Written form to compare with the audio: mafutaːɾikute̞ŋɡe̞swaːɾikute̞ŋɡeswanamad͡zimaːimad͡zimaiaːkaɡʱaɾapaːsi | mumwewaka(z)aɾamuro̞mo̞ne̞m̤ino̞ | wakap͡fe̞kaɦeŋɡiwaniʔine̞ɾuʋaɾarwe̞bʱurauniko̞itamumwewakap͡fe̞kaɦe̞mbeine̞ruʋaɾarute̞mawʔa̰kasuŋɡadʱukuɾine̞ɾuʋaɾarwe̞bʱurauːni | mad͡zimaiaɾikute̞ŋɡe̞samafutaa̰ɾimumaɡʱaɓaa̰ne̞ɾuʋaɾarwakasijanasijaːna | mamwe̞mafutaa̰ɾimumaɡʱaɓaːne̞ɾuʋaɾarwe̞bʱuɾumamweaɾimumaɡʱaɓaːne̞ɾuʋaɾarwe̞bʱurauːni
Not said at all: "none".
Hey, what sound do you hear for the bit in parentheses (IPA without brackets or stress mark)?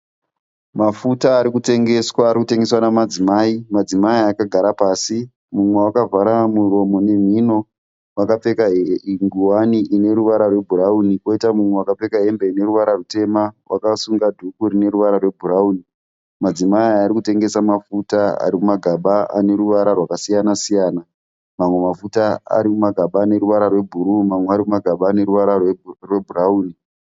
v